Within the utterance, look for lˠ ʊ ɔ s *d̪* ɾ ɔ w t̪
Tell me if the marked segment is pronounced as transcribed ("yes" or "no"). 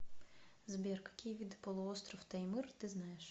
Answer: no